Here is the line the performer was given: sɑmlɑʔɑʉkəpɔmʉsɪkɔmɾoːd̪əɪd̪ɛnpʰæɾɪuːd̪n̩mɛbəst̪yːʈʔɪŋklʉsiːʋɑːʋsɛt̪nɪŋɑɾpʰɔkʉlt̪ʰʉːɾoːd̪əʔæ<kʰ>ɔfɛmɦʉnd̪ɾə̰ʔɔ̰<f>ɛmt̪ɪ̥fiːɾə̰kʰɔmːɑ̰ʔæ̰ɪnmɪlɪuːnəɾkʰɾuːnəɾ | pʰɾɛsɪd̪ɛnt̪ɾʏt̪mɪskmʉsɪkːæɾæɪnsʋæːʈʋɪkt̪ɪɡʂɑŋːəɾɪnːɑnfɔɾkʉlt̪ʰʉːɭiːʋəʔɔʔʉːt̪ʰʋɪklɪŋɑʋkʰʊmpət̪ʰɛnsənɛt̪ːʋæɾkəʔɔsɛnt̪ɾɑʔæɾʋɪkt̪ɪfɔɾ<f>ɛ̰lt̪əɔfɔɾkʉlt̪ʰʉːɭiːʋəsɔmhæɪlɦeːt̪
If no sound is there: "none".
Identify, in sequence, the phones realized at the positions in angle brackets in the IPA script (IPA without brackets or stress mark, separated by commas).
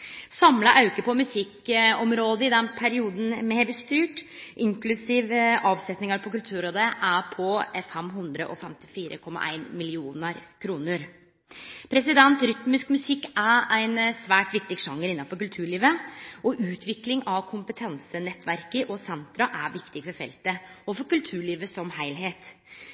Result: pʰ, f, f